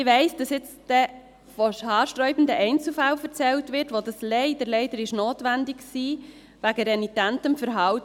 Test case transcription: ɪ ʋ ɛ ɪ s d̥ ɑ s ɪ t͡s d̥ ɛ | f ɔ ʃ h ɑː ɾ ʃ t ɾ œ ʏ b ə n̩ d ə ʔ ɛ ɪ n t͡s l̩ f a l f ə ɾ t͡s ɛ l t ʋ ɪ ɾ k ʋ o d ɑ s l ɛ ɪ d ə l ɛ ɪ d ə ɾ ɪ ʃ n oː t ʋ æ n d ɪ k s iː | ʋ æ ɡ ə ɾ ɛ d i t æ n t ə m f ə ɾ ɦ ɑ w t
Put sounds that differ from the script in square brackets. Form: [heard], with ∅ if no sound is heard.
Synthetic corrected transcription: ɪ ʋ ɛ ɪ s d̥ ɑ s ɪ t͡s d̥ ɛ | f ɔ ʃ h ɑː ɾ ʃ t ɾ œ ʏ b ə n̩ d ə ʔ ɛ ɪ n t͡s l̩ f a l f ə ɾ t͡s ɛ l t ʋ ɪ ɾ [t] ʋ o d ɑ s l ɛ ɪ d ə l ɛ ɪ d ə ɾ ɪ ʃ n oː t ʋ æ n d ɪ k s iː | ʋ æ ɡ ə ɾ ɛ [n] i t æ n t ə m f ə ɾ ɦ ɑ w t

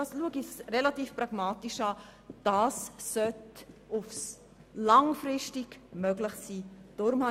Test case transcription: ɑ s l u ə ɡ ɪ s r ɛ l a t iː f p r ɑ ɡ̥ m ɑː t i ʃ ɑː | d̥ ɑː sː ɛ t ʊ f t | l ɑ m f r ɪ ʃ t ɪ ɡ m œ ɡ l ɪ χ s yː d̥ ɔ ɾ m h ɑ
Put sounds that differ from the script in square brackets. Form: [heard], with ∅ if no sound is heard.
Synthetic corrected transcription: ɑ s l u ə ɡ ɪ s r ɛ l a t iː f p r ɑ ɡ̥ m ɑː t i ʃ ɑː | d̥ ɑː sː [œ] t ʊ f [s] | l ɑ [ŋ] f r ɪ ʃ t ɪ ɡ m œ ɡ l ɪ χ s [iː] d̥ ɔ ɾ m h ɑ

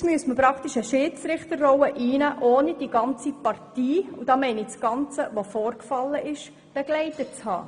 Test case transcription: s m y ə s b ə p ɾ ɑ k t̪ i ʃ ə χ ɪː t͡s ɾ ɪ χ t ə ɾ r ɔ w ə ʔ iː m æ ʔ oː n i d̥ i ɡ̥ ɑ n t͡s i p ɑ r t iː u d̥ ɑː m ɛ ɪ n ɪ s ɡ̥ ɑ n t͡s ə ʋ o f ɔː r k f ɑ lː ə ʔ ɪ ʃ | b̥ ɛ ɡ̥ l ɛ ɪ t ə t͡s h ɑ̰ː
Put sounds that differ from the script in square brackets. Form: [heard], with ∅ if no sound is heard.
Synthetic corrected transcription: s m y ə s [m] ə p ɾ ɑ k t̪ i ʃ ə [ʃ] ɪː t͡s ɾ ɪ χ t ə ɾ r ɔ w ə ʔ iː [n] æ ʔ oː n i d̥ i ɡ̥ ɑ n t͡s i p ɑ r t iː u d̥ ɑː m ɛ ɪ n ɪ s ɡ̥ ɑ n t͡s ə ʋ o f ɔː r k f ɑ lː ə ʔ ɪ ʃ | b̥ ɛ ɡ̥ l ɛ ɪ t ə t͡s h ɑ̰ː

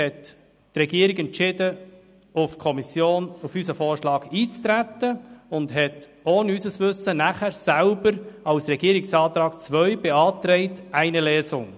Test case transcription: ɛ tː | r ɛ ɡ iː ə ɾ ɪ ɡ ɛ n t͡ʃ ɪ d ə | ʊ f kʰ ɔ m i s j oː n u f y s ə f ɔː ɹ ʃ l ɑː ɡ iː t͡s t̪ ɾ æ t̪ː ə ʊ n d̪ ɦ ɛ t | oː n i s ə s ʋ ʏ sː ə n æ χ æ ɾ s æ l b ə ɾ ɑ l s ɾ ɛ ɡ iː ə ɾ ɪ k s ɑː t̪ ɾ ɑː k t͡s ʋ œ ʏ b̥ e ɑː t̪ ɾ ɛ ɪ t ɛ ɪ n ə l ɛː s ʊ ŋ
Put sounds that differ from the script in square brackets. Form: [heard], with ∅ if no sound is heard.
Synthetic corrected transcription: ɛ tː | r ɛ ɡ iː ə ɾ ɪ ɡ ɛ n t͡ʃ ɪ d ə | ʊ f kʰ ɔ m i s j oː n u f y s ə f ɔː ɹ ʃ l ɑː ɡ iː t͡s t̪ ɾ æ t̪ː ə ʊ n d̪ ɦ ɛ t | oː n [y] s ə s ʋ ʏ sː ə n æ χ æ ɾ s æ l b ə ɾ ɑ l s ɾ ɛ ɡ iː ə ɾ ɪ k s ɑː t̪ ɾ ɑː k t͡s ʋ œ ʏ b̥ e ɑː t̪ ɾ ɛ ɪ t [æ] ɪ n ə l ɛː s ʊ ŋ

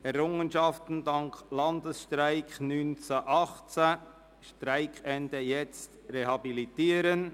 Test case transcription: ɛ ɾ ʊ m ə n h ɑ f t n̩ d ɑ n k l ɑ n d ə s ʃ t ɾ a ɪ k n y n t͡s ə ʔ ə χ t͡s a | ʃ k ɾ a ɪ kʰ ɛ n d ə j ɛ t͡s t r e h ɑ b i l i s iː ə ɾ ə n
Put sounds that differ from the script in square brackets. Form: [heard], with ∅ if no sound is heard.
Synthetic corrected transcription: ɛ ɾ ʊ [ŋ] ə n [ʃ] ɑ f t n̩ d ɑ [ŋ] k l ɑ n d ə s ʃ t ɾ a ɪ k n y n t͡s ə ʔ [ɑ] χ t͡s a | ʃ [t] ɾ a ɪ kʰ ɛ n d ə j ɛ t͡s t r e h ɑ b i l i [t] iː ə ɾ ə n

